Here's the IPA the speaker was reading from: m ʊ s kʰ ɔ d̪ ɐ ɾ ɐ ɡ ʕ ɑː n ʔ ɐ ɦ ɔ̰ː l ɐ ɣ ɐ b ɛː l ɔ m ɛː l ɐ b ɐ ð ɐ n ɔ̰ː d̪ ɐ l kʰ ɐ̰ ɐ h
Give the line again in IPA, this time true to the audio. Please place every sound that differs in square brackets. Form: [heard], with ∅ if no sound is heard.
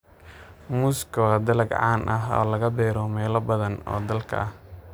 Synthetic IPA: m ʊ s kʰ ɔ d̪ ɐ [l] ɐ ɡ ʕ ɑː n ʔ ɐ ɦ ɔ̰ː l ɐ ɣ ɐ b ɛː [ɾ] ɔ m ɛː l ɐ b ɐ ð ɐ n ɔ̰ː d̪ ɐ l kʰ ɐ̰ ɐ h